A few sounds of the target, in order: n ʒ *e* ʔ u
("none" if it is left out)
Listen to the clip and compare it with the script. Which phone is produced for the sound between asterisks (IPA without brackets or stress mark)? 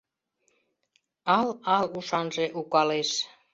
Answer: e